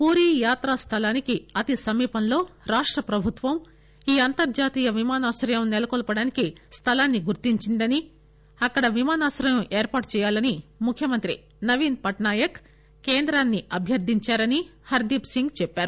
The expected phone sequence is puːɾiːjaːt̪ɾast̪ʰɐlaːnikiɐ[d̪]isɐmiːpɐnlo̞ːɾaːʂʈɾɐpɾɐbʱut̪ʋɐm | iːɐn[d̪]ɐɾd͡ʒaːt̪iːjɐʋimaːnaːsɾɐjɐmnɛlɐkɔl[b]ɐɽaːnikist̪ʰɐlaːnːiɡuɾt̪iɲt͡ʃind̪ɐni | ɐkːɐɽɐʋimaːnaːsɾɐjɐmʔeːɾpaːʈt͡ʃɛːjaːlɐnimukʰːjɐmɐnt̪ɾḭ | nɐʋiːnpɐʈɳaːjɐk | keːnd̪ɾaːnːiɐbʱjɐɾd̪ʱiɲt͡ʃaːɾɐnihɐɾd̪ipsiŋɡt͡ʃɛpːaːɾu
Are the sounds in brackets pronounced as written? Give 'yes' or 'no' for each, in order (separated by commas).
no, no, no